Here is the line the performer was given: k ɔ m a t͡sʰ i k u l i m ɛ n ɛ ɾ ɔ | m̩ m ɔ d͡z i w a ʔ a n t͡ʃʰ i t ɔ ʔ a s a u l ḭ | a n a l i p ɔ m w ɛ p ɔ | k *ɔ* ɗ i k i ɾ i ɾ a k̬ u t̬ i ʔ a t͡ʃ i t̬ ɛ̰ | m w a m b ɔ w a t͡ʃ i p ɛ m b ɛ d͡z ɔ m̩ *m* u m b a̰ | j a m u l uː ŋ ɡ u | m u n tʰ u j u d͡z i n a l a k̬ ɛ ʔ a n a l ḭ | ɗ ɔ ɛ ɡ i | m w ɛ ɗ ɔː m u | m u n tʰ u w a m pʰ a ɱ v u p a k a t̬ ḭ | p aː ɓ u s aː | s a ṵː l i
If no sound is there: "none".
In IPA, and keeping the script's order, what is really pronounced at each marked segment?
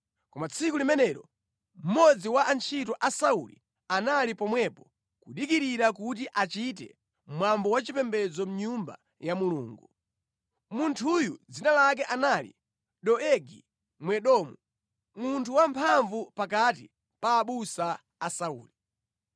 u, ɲ

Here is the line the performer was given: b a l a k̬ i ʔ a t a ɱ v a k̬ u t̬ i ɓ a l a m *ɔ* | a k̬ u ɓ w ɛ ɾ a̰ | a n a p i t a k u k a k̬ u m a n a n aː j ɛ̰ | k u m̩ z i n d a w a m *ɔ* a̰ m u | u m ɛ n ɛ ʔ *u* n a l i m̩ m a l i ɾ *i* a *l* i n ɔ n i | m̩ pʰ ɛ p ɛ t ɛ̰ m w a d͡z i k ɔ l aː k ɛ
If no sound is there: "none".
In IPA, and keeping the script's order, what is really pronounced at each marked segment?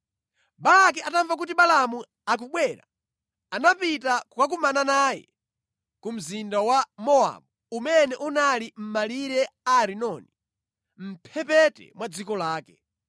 u, ɔ, u, ɛ, ɾ

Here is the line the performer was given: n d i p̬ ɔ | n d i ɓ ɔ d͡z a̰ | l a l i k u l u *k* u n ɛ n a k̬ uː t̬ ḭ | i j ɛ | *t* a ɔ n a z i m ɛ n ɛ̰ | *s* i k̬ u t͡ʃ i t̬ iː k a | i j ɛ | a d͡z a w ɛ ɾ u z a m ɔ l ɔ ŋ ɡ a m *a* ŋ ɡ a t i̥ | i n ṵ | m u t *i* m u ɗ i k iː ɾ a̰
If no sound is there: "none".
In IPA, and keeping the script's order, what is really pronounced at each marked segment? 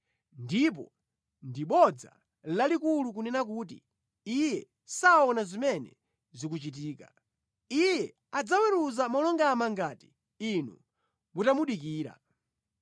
k, s, z, a, a

